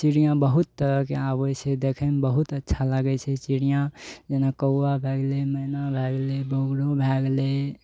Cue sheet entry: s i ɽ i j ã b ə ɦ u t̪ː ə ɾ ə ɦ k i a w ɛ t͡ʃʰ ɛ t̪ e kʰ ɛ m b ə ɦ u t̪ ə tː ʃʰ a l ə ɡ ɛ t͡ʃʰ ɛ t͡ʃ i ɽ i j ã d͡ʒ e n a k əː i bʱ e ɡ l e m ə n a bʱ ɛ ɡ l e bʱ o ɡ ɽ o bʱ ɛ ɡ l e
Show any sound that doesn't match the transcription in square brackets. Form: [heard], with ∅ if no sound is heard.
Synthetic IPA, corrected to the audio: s i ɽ i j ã b ə ɦ u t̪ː ə ɾ ə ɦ k [e] a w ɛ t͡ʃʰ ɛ [d̪] e kʰ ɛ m b ə ɦ u t̪ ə tː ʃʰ a l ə ɡ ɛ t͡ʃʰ ɛ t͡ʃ i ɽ i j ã d͡ʒ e n a k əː [a] bʱ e ɡ l e m ə n a bʱ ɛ ɡ l e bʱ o ɡ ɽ o bʱ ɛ ɡ l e